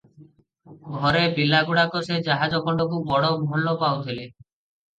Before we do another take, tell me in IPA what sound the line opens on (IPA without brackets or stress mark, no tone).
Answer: ɡʱ